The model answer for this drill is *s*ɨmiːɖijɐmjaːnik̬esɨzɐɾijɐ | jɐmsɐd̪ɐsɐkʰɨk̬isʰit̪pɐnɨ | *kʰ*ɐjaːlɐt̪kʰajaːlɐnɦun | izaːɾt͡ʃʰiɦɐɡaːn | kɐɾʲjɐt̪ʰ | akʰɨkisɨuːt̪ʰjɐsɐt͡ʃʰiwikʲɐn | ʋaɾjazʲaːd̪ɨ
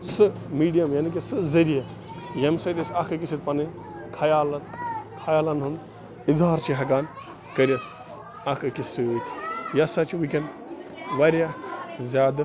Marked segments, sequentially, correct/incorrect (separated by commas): correct, correct